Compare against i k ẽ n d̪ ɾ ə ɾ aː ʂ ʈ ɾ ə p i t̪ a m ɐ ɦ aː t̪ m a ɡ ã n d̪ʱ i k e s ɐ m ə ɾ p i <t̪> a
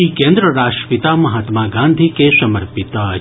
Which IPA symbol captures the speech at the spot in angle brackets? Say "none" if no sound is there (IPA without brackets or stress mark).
t̪